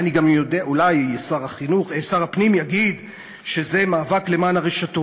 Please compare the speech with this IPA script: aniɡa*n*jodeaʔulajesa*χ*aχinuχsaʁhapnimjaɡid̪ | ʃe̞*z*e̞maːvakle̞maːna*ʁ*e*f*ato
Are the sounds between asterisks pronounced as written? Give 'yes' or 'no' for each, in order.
no, no, yes, yes, no

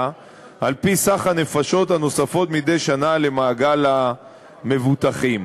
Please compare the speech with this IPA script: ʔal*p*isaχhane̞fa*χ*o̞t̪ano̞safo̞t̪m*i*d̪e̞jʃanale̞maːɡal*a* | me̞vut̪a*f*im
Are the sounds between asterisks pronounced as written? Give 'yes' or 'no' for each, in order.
yes, no, yes, yes, no

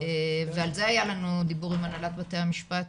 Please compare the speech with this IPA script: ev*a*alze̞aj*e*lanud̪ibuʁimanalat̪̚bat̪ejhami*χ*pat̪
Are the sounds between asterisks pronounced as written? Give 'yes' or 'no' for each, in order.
no, no, no

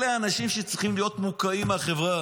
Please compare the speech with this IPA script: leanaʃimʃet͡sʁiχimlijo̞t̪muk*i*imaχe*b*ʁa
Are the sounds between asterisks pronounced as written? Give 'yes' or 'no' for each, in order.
no, no

